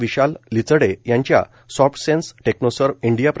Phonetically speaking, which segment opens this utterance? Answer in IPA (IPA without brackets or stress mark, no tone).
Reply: ʋ